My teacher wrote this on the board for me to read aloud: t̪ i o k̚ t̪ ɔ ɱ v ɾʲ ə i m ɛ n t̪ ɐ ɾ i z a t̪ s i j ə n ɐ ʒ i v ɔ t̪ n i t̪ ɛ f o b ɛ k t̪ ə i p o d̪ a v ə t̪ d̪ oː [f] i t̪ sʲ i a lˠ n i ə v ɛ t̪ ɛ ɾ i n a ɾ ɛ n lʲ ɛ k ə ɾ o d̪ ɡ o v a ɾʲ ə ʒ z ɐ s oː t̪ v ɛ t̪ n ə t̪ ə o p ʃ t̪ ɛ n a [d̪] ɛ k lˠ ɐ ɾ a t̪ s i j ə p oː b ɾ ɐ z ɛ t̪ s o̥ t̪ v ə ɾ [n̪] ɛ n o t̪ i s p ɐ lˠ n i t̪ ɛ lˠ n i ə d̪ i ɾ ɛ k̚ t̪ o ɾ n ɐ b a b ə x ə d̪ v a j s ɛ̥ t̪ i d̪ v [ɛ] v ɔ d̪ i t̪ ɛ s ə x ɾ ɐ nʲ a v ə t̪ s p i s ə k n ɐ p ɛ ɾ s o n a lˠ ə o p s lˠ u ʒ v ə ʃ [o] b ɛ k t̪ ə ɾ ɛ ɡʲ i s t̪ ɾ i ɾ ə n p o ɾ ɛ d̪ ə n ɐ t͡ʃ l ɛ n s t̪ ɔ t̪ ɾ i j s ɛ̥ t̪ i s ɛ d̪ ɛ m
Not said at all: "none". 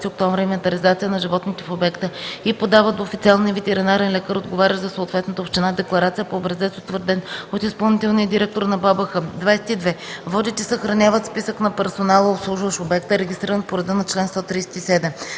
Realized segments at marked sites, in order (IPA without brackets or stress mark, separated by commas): f, d̪, d̪, ɛ, o